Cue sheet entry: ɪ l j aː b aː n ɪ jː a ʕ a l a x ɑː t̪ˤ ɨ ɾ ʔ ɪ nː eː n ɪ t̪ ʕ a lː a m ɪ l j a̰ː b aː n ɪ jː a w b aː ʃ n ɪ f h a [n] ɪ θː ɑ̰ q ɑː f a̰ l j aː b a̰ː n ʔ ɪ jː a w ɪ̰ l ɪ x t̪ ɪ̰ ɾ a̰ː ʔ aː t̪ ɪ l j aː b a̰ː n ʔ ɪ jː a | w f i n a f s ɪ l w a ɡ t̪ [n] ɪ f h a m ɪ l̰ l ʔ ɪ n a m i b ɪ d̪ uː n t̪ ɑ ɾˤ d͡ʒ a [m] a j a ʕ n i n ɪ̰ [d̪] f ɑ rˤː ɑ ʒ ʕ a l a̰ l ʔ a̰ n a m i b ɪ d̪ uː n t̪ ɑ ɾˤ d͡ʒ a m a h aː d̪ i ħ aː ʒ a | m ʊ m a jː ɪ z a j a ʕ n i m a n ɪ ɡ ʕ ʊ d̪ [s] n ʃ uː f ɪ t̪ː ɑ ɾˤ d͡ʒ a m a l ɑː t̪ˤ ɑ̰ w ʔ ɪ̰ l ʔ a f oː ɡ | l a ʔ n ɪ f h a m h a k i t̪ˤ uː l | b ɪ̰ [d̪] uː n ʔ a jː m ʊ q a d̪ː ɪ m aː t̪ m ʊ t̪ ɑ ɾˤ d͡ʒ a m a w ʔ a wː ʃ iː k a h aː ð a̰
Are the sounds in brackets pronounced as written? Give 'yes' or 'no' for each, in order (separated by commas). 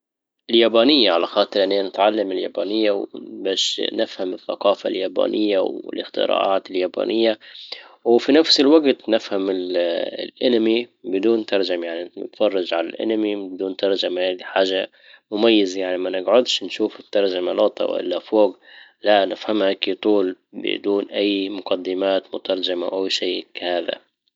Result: no, yes, yes, no, no, yes